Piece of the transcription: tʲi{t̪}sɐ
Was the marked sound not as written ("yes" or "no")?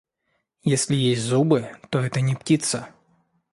no